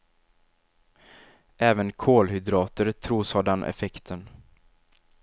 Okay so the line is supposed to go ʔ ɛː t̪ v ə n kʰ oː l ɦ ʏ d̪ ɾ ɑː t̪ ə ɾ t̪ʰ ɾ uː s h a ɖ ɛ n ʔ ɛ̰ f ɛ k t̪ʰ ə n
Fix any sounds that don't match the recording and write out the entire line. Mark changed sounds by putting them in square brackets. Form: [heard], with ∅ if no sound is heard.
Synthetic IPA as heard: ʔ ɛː [∅] v ə n kʰ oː l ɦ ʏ d̪ ɾ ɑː t̪ ə ɾ t̪ʰ ɾ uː s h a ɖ ɛ n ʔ ɛ̰ f ɛ k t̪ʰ ə n